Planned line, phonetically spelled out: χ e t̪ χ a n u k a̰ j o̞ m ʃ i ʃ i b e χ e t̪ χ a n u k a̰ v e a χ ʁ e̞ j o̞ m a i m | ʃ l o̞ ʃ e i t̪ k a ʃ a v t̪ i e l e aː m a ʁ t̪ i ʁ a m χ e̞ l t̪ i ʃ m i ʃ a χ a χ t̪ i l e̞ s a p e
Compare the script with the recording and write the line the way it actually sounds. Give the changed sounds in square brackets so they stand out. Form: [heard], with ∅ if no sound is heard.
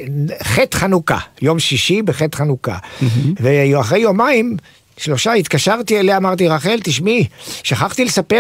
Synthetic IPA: χ e t̪ χ a n u k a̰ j o̞ m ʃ i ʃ i b e χ e t̪ χ a n u k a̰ v e a χ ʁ e̞ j o̞ m a i m | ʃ l o̞ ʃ [a] i t̪ k a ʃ a [ʁ] t̪ i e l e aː m a ʁ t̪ i ʁ a [∅] χ e̞ l t̪ i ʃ m i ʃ a χ a χ t̪ i l e̞ s a p e